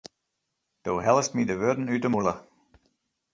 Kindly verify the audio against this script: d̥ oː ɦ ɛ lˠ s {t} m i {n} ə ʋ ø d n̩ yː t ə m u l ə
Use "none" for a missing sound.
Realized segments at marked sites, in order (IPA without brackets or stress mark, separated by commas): t, d